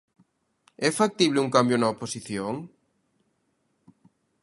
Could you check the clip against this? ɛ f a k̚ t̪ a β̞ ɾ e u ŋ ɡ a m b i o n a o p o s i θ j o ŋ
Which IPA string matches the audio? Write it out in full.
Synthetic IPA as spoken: ɛ f a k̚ t̪ i β̞ l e u ŋ k a m b j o n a o p o s i θ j o ŋ